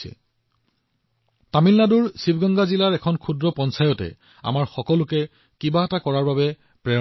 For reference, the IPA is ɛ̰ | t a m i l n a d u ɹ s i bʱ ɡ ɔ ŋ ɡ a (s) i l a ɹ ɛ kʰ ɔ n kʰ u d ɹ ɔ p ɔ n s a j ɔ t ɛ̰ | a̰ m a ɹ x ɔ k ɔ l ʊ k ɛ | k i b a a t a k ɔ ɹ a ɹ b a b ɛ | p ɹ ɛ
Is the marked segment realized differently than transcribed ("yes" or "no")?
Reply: yes